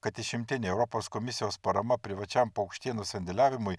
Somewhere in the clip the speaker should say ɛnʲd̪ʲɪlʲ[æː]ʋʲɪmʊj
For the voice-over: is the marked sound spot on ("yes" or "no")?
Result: yes